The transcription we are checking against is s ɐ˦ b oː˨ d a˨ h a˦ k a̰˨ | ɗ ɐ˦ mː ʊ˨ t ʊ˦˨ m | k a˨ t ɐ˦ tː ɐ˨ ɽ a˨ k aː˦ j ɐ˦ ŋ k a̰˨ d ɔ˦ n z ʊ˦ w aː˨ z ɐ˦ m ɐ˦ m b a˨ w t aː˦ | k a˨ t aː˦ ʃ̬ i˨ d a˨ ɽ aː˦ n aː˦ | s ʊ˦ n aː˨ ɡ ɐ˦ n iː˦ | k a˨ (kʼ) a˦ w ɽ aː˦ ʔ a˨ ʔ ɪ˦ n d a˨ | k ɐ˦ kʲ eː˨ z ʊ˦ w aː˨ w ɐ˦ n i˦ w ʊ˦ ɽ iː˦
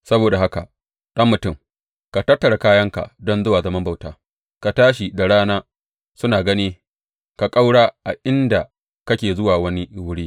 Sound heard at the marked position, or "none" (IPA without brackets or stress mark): kʼ